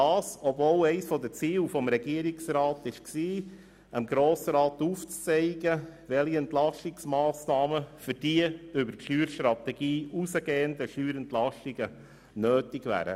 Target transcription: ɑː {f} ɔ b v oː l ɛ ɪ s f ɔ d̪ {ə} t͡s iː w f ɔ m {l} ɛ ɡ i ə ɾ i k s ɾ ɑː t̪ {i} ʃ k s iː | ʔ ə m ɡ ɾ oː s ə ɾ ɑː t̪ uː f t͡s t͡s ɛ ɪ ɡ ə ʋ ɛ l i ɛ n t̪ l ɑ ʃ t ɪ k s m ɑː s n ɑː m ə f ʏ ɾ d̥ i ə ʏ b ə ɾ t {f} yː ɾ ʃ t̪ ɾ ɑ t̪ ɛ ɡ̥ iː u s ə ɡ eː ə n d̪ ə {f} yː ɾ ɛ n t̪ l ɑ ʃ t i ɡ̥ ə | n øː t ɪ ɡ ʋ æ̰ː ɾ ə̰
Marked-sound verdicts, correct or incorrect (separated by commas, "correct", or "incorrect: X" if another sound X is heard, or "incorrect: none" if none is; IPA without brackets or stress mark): incorrect: s, correct, incorrect: ɾ, incorrect: ɪ, incorrect: ʃ, incorrect: ʃ